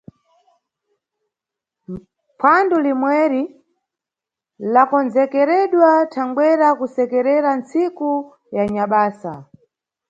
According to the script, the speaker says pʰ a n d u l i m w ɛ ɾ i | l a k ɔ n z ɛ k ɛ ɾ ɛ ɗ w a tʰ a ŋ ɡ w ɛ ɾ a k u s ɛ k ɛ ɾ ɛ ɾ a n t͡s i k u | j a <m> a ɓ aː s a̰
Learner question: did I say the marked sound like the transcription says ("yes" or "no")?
no